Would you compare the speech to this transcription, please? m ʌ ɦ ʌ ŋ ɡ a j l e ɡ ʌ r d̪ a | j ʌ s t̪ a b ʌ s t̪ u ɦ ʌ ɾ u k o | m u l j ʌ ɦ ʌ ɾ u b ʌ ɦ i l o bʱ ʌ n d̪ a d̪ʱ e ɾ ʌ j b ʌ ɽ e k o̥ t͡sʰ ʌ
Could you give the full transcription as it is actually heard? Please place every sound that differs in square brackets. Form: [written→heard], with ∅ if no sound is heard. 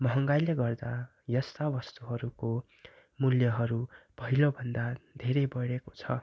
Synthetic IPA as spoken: m ʌ ɦ ʌ ŋ ɡ a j l e ɡ ʌ r d̪ a | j ʌ s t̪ a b ʌ s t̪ u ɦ ʌ ɾ u k o | m u l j ʌ ɦ ʌ ɾ u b ʌ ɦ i l o bʱ ʌ n d̪ a d̪ʱ e ɾ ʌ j b ʌ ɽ e k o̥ t͡sʰ ʌ